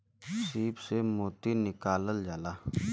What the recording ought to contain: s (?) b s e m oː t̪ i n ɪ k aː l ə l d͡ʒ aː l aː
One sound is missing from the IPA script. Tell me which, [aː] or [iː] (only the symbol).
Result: iː